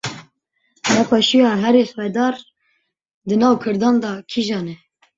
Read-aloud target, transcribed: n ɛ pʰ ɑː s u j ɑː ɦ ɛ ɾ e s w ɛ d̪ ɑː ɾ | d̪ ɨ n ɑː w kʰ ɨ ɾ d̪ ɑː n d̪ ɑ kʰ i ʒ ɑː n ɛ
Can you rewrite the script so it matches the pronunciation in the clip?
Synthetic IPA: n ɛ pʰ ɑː ʃ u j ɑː ɦ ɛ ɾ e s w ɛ d̪ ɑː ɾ | d̪ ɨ n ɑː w kʰ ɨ ɾ d̪ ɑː n d̪ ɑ kʰ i ʒ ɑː n ɛ